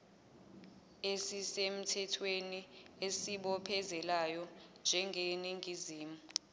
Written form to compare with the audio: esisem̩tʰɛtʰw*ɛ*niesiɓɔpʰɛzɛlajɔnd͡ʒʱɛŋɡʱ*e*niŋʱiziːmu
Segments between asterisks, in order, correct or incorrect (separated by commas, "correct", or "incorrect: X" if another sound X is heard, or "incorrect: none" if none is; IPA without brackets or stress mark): incorrect: e, correct